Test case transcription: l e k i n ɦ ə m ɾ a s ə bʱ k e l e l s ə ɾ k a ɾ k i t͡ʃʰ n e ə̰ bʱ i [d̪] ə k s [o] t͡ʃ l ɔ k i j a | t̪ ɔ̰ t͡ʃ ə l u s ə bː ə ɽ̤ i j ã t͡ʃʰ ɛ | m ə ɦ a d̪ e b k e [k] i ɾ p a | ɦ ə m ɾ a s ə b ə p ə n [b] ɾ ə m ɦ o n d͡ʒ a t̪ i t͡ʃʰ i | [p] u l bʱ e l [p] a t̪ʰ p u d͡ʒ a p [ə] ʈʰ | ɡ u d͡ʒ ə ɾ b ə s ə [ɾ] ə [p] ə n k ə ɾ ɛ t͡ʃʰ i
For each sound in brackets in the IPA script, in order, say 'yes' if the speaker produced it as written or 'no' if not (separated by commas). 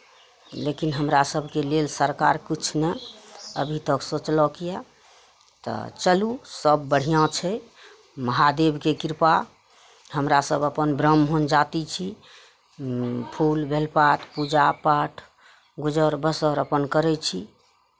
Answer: no, yes, yes, yes, no, yes, no, yes, yes